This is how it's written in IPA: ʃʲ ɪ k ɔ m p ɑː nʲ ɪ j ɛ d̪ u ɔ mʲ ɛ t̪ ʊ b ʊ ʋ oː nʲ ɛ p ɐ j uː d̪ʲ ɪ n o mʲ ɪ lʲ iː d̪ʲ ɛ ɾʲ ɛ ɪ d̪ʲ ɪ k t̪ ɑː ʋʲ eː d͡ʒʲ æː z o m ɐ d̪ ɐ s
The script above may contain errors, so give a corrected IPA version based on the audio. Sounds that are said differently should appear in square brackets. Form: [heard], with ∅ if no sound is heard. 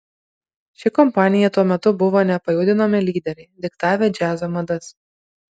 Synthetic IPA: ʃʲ ɪ k ɔ m p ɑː nʲ ɪ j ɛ [t̪] u ɔ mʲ ɛ t̪ ʊ b ʊ ʋ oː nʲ ɛ p ɐ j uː d̪ʲ ɪ n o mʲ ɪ lʲ iː d̪ʲ ɛ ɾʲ ɛ ɪ d̪ʲ ɪ k t̪ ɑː ʋʲ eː d͡ʒʲ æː z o m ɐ d̪ ɐ s